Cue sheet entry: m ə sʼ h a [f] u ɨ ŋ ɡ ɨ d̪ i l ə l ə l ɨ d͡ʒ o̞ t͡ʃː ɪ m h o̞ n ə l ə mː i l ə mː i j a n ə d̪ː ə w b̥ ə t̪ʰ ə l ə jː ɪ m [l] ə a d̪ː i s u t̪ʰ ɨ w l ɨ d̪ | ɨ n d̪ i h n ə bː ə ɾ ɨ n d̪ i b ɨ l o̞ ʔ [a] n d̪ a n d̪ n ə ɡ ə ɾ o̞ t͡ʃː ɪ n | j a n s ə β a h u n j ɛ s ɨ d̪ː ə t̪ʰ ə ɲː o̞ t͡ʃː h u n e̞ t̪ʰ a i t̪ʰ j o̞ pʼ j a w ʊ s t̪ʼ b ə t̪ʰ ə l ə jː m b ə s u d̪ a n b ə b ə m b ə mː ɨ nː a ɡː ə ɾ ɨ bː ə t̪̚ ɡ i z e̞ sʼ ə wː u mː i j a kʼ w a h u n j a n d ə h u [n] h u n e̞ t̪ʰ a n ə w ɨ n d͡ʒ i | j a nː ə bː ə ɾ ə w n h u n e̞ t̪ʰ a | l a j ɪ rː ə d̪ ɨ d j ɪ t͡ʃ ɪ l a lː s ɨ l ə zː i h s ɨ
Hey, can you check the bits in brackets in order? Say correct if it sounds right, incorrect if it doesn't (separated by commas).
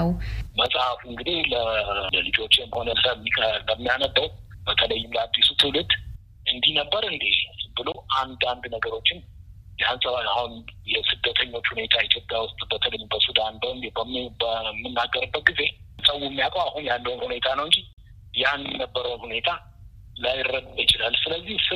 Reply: correct, correct, correct, correct